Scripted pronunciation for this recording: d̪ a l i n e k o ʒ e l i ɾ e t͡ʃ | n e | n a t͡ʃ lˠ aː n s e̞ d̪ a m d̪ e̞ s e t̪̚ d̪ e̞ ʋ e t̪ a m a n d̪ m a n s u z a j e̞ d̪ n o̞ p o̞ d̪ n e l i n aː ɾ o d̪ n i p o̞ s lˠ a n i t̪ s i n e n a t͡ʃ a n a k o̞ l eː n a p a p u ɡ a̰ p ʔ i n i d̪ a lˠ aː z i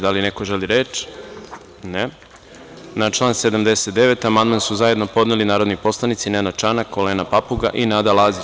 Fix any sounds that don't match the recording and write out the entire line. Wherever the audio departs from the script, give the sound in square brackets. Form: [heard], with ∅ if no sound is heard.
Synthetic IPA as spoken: d̪ a l i n e k o ʒ e l i ɾ e t͡ʃ | n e | n a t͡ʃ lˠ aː n s e̞ d̪ a m d̪ e̞ s e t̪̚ d̪ e̞ ʋ e t̪ a m a n d̪ m a n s u z a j e̞ d̪ n o̞ p o̞ d̪ n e l i n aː ɾ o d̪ n i p o̞ s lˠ a n i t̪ s i n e n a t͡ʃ a n a k o̞ l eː n a p a p u ɡ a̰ [∅] ʔ i n [a] d̪ a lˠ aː z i